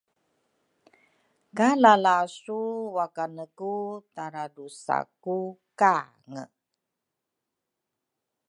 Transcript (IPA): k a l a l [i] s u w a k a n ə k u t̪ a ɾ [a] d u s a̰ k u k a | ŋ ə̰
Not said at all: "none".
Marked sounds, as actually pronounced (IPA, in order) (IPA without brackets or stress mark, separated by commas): a, a